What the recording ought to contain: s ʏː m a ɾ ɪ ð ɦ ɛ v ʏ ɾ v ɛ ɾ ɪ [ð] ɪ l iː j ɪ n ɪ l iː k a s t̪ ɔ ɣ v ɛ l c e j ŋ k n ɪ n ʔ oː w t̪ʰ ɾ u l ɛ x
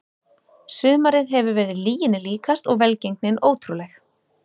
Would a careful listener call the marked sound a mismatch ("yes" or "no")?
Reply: no